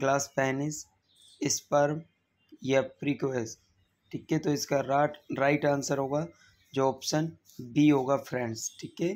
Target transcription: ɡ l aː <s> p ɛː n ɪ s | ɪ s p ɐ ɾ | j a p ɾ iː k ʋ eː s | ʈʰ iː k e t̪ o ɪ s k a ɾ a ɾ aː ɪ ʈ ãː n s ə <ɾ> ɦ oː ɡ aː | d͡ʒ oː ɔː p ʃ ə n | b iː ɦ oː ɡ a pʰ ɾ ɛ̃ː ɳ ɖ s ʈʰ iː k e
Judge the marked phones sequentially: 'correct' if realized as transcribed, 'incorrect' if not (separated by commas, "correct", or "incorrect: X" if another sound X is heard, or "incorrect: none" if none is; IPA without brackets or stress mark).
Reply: correct, correct